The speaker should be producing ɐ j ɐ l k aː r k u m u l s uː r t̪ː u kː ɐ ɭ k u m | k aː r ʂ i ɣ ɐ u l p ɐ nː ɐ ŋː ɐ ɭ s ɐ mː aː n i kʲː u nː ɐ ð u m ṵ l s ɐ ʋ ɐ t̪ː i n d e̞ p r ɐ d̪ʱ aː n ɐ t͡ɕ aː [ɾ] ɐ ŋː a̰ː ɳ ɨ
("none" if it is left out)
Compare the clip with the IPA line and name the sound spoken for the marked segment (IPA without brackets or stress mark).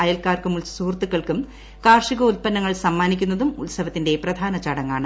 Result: ɽ